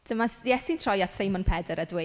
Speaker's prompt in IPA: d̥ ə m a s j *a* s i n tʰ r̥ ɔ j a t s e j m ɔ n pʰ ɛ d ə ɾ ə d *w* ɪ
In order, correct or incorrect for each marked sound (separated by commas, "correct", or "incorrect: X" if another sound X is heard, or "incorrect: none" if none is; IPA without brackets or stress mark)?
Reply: incorrect: ɛ, correct